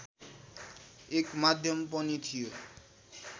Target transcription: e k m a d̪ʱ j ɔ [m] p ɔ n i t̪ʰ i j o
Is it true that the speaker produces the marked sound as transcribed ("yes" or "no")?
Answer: yes